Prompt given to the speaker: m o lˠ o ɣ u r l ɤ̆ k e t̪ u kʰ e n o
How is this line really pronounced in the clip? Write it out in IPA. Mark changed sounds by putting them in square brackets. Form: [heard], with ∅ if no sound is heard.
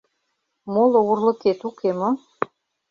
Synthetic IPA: m o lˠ o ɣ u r l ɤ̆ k e t̪ u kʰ e [m] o